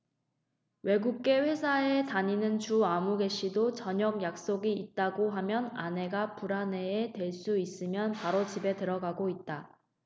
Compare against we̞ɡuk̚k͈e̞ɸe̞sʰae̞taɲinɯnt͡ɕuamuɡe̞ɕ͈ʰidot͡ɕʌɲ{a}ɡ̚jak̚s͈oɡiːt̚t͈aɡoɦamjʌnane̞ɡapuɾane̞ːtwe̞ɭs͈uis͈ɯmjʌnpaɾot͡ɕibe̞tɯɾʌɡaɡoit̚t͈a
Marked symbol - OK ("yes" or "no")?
no